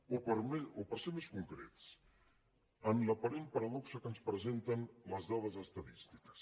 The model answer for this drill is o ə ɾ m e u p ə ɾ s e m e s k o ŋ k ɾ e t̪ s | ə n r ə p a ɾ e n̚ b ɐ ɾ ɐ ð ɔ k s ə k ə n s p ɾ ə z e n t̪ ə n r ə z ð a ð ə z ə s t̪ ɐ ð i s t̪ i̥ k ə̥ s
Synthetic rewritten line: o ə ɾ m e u p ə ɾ s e m e s k u ŋ k ɾ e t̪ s | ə n l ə p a ɾ e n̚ p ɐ ɾ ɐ ð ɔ k s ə k ə n s p ɾ ə z e n t̪ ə n l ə z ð a ð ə z ə s t̪ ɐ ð i s t̪ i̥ k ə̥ s